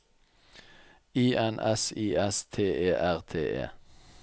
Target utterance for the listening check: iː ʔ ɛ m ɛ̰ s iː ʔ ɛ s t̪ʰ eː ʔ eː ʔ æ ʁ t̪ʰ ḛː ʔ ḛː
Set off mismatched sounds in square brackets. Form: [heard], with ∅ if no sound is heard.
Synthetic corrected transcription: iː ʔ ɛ [n] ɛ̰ s iː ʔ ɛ s t̪ʰ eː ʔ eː ʔ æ ʁ t̪ʰ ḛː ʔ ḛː